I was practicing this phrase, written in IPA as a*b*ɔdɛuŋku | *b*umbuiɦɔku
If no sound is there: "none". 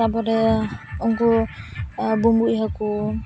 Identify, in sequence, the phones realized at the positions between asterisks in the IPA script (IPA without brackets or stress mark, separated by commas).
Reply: b, b